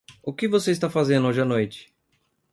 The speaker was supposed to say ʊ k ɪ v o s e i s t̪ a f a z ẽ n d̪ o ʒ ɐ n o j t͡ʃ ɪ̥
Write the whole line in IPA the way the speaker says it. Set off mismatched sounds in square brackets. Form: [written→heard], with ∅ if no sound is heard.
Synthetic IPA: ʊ k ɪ v o s e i s t̪ a f a z ẽ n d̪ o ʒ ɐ n o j t͡ʃ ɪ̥